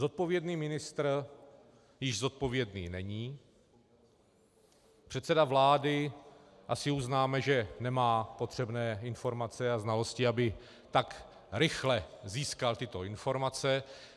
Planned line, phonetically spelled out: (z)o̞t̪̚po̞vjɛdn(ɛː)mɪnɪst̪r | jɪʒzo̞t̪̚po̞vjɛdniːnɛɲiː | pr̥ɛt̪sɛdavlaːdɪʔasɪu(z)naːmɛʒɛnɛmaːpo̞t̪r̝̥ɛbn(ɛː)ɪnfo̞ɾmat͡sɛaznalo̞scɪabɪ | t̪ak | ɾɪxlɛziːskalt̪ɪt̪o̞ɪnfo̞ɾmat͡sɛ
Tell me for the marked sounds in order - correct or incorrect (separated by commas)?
correct, incorrect, correct, correct